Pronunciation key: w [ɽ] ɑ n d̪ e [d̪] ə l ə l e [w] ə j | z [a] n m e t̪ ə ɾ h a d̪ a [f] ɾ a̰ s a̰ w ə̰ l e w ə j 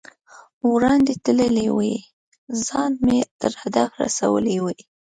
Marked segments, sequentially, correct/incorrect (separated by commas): incorrect, incorrect, correct, incorrect, correct